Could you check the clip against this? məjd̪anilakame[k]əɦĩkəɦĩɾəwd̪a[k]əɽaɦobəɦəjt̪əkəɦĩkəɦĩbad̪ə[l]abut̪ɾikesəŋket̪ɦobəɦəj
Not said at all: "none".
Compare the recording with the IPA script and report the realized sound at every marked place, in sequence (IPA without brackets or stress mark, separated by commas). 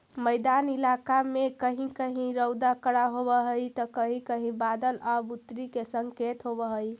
k, k, l